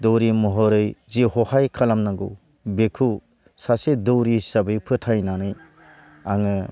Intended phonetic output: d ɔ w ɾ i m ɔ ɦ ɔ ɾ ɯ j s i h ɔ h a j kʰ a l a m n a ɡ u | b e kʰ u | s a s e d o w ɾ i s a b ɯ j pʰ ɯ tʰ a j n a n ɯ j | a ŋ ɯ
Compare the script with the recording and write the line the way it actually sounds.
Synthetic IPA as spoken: d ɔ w ɾ i m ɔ ɦ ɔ ɾ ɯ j z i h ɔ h a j kʰ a l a m n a ɡ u | b e kʰ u | s a s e d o w ɾ i s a b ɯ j pʰ ɯ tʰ a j n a n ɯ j | a ŋ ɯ